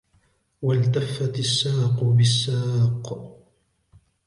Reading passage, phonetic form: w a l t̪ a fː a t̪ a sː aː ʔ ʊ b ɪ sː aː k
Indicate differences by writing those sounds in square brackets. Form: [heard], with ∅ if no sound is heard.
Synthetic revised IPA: w a l t̪ a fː a t̪ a sː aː [q] ʊ b ɪ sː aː [q]